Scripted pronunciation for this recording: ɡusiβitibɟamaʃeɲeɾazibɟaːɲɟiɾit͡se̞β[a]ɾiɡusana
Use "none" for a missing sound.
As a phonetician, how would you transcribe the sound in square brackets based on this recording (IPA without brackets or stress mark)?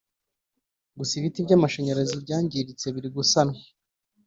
i